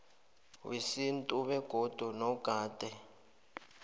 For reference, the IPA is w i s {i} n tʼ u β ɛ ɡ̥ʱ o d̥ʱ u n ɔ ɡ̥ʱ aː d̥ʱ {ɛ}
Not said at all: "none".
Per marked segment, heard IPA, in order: i, ɛ

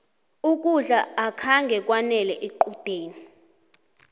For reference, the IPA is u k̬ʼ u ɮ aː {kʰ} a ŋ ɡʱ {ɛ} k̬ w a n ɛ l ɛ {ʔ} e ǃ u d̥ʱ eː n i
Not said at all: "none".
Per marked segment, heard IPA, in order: kʰ, ɛ, ʔ

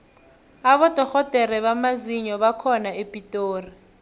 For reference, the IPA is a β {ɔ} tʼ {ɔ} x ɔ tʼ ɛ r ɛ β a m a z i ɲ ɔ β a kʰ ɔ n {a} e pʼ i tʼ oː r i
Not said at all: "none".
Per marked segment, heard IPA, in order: ɔ, ɔ, a

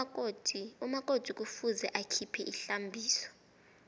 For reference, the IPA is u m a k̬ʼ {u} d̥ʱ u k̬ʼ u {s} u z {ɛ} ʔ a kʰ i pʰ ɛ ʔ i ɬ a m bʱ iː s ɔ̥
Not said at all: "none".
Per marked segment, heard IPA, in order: o, f, ɛ

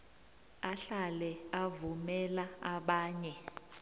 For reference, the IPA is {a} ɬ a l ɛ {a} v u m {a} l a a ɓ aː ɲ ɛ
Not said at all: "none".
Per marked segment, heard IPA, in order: a, a, ɛ

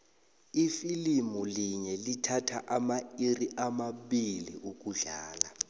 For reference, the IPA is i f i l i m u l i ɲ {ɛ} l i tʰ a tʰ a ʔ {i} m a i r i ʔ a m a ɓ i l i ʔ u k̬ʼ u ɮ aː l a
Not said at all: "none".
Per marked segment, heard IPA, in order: ɛ, a

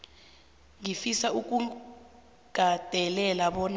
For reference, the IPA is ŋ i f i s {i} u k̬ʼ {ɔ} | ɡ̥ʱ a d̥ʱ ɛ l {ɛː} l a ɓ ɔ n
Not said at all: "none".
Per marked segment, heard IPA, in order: a, u, ɛ

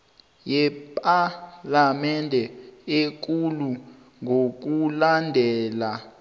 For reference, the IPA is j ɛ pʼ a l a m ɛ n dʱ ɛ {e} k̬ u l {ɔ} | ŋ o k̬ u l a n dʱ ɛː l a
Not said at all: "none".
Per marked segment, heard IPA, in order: e, u

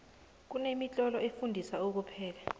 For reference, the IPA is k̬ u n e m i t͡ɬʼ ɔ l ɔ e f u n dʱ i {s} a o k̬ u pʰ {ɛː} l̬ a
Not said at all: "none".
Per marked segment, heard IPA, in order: s, ɛː

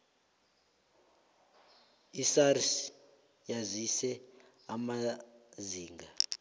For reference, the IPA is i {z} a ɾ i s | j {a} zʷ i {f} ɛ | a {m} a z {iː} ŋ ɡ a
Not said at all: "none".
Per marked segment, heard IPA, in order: s, a, s, m, iː

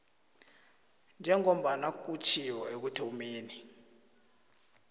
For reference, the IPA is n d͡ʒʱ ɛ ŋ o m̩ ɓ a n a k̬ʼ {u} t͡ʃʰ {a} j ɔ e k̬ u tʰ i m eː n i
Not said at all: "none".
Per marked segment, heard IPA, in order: u, i

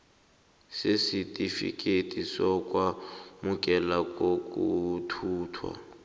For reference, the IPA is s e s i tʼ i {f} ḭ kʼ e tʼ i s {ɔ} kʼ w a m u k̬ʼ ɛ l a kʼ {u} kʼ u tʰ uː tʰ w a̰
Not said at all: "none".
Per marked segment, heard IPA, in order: f, ɔ, o

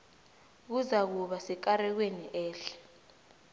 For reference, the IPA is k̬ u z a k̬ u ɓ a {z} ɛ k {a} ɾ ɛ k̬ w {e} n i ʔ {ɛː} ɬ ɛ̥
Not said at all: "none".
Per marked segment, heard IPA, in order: s, a, e, ɛː

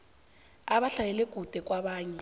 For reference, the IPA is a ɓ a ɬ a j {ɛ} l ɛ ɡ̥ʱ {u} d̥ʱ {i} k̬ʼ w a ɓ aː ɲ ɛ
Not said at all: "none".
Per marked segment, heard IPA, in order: ɛ, u, ɛ

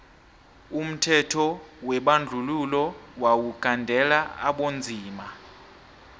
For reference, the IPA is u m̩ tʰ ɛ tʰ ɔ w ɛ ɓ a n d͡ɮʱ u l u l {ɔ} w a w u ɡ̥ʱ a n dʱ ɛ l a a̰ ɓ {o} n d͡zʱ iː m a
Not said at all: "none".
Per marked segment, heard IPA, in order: ɔ, o

